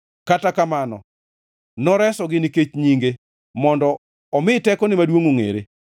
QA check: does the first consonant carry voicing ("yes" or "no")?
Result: no